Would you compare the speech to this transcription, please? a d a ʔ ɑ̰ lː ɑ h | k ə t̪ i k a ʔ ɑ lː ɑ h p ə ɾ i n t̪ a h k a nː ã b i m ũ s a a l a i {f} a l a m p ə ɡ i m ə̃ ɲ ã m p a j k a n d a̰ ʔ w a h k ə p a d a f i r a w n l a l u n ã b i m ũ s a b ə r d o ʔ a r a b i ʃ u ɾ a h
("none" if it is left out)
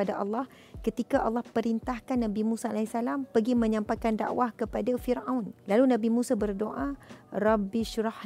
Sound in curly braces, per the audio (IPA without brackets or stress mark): s